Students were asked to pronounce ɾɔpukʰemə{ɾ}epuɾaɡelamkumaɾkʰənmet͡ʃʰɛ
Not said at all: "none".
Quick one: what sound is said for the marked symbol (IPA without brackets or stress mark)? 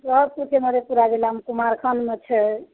ɾ